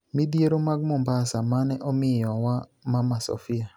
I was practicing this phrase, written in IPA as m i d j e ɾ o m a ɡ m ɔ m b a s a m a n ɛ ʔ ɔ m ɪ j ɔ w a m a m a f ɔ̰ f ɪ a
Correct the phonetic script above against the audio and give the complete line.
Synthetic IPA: m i d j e ɾ o m a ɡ m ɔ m b a s a m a n ɛ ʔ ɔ m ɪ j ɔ w a m a m a s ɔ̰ f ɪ a